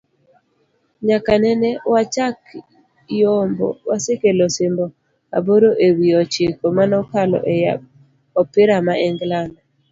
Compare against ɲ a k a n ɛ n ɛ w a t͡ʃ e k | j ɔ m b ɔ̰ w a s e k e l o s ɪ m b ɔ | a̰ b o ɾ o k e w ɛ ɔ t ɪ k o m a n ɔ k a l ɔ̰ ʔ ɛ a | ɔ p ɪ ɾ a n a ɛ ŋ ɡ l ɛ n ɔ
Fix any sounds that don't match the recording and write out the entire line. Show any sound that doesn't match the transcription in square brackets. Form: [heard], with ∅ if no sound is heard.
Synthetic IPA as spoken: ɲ a k a n ɛ n ɛ w a t͡ʃ [a] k | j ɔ m b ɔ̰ w a s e k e l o s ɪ m b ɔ | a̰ b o ɾ o [ʔ] e w [i] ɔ [t͡ʃ] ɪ k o m a n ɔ k a l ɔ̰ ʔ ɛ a | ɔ p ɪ ɾ a [m] a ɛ ŋ ɡ l [a] n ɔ